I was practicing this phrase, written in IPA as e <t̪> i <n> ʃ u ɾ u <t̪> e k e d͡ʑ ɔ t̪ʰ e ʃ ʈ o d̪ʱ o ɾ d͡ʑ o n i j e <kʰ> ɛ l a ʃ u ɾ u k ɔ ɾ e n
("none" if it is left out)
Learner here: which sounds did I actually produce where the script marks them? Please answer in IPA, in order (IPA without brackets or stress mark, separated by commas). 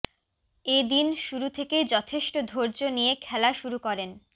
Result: d̪, n, t̪ʰ, kʰ